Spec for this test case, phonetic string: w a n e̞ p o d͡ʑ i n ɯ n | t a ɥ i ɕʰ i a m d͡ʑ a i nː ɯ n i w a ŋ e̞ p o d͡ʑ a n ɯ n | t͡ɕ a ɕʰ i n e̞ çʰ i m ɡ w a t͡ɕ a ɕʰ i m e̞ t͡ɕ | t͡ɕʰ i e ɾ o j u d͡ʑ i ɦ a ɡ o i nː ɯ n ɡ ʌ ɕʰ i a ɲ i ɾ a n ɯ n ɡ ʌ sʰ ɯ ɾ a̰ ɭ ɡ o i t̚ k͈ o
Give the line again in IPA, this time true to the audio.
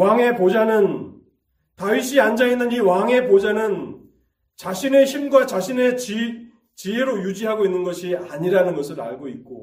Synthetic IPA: w a ŋ e̞ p o d͡ʑ a n ɯ n | t a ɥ i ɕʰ i a n d͡ʑ a i nː ɯ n i w a ŋ e̞ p o d͡ʑ a n ɯ n | t͡ɕ a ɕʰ i n e̞ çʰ i m ɡ w a t͡ɕ a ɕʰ i n e̞ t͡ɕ | t͡ɕ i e ɾ o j u d͡ʑ i ɦ a ɡ o i nː ɯ n ɡ ʌ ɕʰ i a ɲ i ɾ a n ɯ n ɡ ʌ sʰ ɯ ɾ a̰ ɭ ɡ o i t̚ k͈ o